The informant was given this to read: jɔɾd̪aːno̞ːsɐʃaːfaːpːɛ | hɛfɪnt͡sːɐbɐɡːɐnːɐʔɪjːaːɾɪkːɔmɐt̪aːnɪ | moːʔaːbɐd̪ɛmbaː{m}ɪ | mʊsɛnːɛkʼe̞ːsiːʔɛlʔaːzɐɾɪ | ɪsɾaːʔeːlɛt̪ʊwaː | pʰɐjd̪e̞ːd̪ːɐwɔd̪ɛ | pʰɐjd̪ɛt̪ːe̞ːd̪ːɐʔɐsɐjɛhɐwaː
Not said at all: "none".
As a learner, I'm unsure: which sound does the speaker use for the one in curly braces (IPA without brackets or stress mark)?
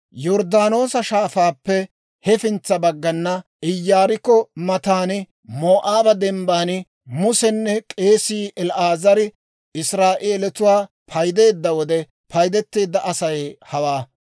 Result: n